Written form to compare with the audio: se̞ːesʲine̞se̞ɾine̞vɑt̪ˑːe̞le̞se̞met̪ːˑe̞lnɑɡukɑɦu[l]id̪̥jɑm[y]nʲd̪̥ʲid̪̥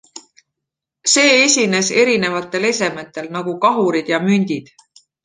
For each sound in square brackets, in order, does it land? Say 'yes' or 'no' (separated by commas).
no, yes